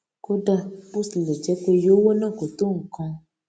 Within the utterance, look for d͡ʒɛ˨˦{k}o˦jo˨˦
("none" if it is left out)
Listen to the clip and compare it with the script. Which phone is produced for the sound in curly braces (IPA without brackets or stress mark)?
k